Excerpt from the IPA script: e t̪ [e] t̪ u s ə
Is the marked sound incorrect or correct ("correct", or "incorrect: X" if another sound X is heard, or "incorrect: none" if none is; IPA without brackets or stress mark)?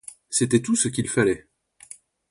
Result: incorrect: ɛ